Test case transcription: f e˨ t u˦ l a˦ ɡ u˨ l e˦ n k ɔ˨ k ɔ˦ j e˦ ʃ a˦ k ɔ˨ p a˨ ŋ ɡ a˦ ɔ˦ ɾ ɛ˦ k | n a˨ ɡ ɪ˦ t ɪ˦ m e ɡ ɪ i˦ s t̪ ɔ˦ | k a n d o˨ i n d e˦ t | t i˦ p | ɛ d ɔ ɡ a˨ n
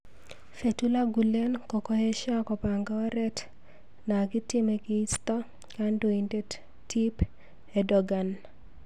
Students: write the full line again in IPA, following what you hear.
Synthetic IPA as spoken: f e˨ t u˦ l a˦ ɡ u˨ l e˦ n k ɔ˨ k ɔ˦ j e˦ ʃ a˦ k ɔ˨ p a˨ ŋ ɡ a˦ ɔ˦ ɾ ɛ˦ t | n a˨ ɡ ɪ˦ t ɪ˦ m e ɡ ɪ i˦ s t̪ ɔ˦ | k a n d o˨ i n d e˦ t | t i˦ p | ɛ d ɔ ɡ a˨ n